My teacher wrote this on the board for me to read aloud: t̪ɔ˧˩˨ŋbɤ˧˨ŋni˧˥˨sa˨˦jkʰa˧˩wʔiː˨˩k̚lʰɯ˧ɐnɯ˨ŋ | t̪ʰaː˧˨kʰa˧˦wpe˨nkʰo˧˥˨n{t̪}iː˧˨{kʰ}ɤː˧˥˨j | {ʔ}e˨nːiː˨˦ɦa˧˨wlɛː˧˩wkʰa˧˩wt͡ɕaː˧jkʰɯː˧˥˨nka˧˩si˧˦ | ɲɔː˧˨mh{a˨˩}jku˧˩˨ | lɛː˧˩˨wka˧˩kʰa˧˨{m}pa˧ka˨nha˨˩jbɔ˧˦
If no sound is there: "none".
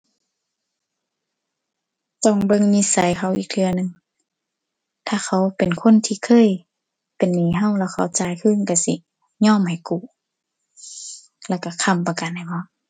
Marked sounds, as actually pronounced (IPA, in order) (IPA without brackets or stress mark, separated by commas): t̪ʰ, kʰ, p, a˨˩, m